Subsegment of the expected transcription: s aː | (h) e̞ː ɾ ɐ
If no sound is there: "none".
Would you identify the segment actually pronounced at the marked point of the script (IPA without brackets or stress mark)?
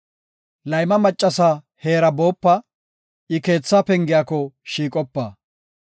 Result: h